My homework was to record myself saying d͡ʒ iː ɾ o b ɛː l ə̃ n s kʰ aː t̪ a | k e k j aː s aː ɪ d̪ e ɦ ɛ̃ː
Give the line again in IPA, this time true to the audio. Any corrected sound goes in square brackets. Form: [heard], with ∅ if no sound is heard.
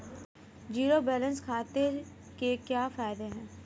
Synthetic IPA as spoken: d͡ʒ iː ɾ o b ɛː l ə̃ n s kʰ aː t̪ [e] | k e k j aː [f] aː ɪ d̪ e ɦ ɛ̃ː